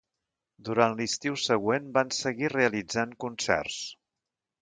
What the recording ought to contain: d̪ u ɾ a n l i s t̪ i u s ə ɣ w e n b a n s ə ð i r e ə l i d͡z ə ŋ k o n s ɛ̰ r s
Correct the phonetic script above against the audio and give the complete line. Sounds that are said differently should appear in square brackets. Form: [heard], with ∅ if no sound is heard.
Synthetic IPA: d̪ u ɾ a n l i s t̪ i [w] s ə ɣ w e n b a n s ə [ɣ] i r e ə l i d͡z [a] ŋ k [u] n s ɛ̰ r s